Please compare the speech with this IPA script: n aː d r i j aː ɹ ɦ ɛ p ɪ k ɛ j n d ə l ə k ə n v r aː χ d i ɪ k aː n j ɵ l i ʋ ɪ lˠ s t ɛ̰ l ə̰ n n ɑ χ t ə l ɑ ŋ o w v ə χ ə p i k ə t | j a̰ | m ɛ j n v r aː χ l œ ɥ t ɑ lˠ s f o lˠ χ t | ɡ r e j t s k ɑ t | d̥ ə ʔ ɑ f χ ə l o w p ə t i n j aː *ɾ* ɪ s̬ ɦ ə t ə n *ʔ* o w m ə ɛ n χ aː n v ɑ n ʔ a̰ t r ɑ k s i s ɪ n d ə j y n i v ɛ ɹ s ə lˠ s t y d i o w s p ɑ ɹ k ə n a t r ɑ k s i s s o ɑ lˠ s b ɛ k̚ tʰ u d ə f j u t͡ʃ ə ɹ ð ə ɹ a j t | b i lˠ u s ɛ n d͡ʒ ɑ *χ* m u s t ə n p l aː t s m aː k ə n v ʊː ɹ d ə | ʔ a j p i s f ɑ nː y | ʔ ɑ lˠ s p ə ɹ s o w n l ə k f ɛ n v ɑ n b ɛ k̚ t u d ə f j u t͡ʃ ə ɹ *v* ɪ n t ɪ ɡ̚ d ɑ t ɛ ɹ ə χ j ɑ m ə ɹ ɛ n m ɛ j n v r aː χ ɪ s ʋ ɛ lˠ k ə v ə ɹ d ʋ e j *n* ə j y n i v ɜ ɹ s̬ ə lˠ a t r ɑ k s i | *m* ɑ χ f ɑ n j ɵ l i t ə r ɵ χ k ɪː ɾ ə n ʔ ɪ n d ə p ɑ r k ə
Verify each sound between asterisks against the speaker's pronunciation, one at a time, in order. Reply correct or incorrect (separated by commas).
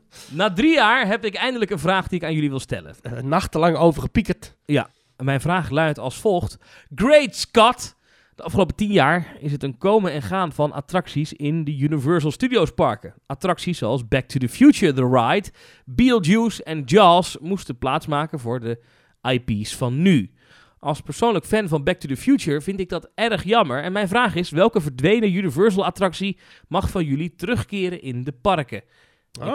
incorrect, incorrect, incorrect, correct, correct, correct